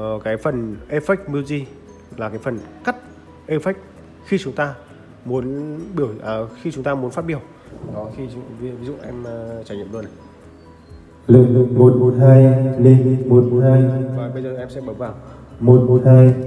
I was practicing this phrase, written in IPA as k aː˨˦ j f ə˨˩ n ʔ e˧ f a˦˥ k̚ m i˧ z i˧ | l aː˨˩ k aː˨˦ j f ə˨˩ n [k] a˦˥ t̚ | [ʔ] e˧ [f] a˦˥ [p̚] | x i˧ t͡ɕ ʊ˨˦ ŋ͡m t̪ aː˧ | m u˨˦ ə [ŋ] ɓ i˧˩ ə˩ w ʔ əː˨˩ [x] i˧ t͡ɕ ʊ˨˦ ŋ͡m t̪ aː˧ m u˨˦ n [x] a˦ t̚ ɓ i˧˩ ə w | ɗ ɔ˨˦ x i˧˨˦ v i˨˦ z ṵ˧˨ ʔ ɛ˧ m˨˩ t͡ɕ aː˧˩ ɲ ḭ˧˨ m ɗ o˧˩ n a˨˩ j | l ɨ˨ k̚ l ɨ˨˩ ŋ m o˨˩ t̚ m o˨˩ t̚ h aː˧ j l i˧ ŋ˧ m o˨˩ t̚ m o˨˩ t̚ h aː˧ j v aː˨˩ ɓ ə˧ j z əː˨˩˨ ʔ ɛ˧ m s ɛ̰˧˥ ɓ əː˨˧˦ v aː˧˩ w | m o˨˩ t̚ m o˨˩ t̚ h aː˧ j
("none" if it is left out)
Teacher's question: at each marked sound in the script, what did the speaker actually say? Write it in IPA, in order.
k, ʔ, f, k̚, n, x, f

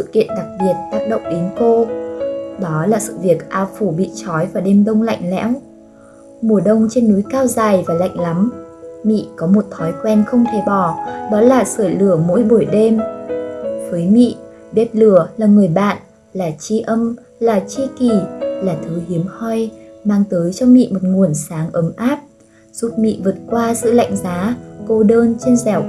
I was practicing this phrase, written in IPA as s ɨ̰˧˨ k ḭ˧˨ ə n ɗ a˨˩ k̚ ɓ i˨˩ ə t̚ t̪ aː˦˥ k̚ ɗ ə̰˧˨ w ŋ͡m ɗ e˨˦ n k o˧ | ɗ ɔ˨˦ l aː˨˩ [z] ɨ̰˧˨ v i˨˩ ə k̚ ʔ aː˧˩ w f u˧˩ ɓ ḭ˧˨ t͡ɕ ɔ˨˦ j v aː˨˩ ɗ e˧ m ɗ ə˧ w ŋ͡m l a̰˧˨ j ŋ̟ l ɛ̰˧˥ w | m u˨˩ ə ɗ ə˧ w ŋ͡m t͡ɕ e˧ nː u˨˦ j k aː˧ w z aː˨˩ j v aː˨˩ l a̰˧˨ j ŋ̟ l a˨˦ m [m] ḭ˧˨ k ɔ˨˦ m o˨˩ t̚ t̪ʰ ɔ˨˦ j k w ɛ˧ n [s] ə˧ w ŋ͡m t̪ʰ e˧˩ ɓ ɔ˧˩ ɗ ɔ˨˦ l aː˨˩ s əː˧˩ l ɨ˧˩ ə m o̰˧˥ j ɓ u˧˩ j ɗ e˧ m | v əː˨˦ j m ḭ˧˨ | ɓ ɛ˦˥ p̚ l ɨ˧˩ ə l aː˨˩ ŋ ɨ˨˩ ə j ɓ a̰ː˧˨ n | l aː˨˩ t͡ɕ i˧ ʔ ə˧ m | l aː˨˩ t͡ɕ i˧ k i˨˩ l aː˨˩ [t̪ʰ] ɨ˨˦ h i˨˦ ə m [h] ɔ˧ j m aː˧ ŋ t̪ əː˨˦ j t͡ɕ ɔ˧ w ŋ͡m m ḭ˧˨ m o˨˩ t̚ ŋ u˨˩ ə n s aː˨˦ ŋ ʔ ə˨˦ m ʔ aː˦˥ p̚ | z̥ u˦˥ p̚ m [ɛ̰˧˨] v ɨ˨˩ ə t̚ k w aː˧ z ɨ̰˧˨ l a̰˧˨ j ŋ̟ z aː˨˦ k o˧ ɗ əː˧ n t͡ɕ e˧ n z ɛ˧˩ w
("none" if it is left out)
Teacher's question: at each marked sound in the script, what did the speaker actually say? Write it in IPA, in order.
s, m, x, t̪ʰ, h, ḭ˧˨

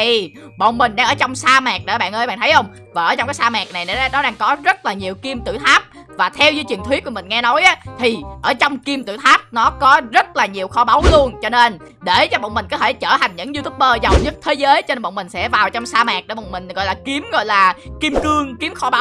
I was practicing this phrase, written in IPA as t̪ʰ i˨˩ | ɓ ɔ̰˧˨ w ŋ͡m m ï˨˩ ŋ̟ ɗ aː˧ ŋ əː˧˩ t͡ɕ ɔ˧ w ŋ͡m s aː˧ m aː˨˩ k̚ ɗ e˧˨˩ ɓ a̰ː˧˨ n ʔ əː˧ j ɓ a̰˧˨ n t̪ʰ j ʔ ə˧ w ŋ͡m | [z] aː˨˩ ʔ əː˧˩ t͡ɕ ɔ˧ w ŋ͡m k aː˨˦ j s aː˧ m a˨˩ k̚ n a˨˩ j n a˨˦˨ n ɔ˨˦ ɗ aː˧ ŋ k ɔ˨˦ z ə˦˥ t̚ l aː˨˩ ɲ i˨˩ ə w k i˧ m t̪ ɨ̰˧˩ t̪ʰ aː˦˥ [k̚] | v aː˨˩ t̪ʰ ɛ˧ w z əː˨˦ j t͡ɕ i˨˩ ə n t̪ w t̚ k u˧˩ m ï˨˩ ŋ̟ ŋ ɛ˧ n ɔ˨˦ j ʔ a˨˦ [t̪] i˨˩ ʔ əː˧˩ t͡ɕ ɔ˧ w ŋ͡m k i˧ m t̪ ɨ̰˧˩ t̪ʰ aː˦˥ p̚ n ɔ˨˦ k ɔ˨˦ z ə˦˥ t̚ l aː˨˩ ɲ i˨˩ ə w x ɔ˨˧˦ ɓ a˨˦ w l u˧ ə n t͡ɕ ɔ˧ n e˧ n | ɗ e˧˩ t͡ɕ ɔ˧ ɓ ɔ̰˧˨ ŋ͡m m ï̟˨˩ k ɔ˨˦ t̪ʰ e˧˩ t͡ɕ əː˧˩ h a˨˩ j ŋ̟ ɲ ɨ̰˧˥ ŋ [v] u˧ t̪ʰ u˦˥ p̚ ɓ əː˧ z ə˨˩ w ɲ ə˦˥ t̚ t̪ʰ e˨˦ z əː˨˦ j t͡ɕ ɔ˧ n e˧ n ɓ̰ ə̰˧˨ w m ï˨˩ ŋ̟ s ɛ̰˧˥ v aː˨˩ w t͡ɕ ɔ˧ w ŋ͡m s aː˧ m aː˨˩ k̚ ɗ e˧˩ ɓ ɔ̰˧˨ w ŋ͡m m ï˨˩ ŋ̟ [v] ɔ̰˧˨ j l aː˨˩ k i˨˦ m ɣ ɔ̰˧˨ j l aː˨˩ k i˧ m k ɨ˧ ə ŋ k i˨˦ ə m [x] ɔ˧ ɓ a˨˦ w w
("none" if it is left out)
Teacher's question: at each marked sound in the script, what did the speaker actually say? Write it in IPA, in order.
v, p̚, t̪ʰ, z, ɣ, x

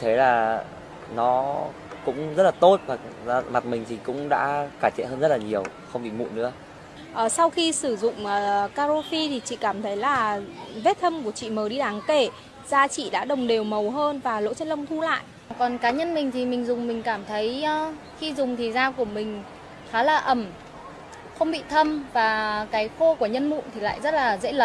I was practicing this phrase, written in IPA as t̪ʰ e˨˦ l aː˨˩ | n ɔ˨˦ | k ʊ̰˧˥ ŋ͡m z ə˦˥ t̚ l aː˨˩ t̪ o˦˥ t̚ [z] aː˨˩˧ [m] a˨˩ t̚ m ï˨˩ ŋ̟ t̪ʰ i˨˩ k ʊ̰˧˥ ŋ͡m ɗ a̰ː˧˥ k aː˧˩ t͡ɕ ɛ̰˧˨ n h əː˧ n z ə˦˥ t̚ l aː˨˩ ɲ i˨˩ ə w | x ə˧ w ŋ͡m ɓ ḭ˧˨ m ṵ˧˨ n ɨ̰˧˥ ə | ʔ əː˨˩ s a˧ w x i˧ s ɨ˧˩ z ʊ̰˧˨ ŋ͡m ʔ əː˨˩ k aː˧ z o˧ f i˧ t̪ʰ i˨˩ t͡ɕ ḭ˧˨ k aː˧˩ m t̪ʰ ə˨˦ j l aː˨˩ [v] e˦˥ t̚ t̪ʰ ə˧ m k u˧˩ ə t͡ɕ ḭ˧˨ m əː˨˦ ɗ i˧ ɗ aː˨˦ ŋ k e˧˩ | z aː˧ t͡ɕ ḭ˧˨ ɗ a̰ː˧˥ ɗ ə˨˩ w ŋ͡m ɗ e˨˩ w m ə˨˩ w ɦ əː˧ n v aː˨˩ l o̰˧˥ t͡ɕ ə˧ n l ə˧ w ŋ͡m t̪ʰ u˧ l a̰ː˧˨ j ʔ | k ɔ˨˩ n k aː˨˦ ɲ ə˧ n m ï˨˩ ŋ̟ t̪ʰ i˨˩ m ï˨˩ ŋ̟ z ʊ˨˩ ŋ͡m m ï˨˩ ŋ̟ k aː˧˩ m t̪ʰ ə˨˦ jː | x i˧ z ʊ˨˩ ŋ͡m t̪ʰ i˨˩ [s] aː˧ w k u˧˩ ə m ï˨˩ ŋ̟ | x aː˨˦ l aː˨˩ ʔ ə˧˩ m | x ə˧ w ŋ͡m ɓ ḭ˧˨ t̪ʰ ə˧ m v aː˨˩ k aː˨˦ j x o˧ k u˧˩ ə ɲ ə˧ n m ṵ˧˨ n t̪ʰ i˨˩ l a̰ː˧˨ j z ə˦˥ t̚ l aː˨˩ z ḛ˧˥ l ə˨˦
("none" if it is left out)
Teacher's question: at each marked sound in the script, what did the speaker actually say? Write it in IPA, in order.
v, m, v, z

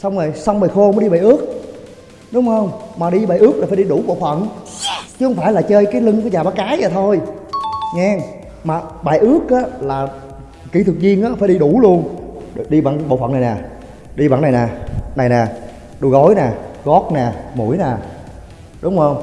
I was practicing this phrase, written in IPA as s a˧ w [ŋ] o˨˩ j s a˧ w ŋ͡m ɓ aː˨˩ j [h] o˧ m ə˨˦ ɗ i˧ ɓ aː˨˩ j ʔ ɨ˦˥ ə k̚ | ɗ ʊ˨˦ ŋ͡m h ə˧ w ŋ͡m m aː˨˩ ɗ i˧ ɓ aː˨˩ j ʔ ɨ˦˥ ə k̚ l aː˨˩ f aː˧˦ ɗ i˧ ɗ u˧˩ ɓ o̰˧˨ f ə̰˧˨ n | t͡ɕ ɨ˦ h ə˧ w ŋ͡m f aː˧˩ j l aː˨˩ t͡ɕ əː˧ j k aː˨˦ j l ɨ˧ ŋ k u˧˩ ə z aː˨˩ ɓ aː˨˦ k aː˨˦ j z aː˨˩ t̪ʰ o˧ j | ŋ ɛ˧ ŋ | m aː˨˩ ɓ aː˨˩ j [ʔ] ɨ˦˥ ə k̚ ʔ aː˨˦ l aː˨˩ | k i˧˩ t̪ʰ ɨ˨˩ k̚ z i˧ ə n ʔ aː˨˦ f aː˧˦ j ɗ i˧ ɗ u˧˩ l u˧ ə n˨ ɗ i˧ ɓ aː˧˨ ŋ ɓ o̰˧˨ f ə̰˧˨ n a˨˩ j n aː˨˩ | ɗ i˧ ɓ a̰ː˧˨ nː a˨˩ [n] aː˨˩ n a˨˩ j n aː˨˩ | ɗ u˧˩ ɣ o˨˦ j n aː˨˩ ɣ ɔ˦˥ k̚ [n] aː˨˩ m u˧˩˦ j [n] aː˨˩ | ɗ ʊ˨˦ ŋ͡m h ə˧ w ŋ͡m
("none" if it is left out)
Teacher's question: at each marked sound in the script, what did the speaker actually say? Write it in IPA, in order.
ŋ͡m, x, ʔ, n, n, n

